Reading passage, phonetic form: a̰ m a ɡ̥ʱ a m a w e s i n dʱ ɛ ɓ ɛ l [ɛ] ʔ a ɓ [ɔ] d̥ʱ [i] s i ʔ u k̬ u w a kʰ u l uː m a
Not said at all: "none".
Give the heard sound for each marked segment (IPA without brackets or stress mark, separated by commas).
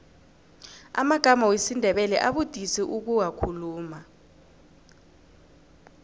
ɛ, u, i